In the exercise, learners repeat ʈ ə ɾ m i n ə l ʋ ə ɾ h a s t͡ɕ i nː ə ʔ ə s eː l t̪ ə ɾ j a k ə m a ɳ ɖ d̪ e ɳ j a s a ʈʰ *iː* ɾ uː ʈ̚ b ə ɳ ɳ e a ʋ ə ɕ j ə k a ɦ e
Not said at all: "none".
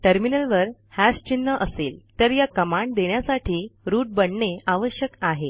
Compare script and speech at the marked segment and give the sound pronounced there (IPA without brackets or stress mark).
iː